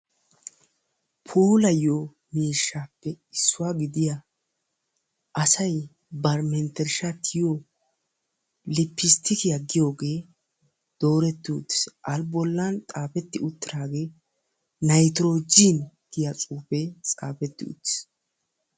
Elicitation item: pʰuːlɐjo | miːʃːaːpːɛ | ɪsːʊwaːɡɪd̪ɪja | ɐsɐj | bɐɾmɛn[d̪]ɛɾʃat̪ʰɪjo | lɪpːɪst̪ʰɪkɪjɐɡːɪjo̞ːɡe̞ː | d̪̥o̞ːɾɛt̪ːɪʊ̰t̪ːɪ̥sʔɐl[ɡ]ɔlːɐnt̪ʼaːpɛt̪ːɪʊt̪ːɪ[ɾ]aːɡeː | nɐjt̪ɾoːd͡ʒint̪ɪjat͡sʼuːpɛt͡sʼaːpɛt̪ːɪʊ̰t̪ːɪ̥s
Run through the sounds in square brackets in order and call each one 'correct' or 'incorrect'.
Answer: incorrect, incorrect, correct

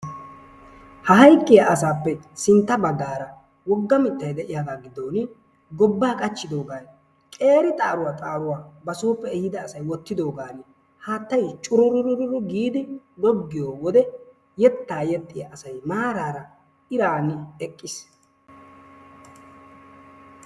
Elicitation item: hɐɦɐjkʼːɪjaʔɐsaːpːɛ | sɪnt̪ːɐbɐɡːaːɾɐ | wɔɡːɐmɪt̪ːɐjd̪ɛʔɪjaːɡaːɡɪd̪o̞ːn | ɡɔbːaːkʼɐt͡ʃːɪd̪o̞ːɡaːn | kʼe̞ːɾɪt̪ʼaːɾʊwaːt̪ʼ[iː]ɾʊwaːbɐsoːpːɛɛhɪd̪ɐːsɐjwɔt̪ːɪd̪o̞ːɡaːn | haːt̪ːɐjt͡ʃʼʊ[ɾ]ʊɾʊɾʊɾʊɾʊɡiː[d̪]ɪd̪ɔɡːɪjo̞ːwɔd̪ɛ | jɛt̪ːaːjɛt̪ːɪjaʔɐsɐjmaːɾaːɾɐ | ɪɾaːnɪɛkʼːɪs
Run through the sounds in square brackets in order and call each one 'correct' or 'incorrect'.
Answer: incorrect, correct, correct

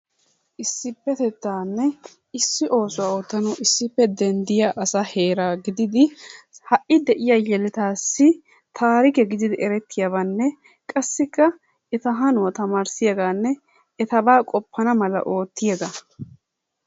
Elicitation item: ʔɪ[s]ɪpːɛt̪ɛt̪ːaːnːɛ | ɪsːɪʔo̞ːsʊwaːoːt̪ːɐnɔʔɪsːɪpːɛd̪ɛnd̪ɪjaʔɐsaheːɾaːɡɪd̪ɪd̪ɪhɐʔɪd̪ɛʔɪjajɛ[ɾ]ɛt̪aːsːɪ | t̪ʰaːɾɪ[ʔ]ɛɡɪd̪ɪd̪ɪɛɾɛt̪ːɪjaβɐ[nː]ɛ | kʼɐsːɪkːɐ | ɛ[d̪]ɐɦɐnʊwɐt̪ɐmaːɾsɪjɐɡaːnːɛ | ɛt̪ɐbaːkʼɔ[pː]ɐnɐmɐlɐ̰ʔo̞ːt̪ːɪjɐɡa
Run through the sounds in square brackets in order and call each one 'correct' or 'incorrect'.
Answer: incorrect, incorrect, incorrect, correct, incorrect, correct

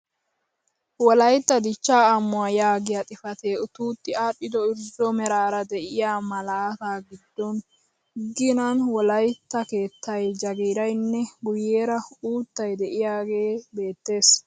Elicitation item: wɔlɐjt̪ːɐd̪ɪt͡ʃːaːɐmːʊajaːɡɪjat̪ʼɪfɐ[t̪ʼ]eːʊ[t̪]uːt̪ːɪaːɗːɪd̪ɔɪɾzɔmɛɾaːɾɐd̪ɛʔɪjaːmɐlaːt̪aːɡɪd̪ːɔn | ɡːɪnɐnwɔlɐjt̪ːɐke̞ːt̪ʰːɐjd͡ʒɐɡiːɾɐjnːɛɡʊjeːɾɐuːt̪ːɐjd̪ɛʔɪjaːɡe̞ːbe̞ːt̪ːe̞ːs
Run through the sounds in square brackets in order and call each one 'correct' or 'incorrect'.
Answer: incorrect, correct

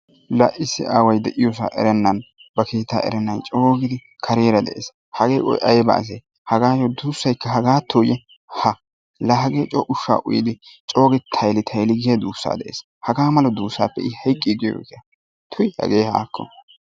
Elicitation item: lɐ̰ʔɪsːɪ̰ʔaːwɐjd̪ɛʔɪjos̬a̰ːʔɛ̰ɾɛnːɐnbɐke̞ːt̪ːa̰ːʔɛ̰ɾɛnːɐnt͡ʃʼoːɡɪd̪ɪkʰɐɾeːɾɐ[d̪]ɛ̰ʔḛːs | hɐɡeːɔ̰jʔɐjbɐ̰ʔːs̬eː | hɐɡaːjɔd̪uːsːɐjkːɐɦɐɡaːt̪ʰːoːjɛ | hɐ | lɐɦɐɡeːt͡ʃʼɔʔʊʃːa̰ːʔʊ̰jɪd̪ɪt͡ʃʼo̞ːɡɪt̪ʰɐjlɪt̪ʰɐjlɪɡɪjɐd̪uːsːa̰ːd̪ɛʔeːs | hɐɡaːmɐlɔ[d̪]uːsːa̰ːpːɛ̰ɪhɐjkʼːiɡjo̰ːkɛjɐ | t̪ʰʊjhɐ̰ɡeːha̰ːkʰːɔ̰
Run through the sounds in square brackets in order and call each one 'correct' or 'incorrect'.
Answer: correct, correct

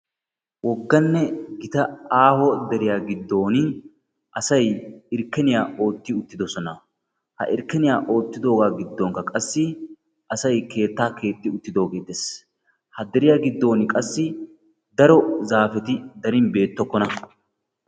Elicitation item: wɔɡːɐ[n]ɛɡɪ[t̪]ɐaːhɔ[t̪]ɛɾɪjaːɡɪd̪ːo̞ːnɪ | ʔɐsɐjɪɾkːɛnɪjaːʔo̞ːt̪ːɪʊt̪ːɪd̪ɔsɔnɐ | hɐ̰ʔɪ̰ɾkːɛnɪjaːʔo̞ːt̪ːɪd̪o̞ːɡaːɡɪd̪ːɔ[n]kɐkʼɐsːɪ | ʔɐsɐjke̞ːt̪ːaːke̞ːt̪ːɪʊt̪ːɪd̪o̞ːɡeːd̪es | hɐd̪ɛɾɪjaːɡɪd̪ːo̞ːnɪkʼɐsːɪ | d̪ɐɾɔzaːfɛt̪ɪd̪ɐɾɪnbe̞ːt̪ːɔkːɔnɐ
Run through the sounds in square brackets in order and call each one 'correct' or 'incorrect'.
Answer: incorrect, correct, incorrect, incorrect

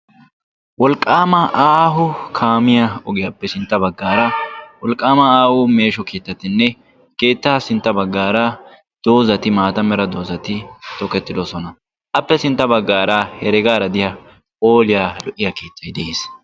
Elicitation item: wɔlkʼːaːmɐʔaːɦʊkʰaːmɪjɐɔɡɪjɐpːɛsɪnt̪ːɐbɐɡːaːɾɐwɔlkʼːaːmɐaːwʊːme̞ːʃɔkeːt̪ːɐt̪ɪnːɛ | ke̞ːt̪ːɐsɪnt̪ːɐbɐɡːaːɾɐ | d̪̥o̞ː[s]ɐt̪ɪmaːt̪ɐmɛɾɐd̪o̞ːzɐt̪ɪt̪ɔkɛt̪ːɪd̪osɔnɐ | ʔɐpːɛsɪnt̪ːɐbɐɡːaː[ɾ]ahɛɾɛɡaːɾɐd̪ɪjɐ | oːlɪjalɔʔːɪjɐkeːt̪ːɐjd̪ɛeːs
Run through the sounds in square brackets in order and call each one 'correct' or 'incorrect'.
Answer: incorrect, correct

